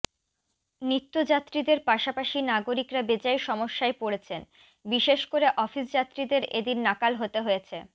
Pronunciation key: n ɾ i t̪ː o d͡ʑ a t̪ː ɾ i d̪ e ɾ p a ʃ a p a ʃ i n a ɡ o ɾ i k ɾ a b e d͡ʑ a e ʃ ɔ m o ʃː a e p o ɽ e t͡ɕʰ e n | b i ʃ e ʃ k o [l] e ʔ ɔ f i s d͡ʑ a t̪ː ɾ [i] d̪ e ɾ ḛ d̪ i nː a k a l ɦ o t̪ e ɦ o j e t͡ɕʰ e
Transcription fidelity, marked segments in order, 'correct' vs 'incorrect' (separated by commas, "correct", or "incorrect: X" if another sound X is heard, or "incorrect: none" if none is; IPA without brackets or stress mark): incorrect: ɾ, correct